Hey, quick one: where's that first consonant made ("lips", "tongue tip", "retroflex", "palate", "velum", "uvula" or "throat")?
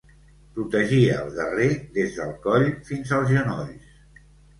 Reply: lips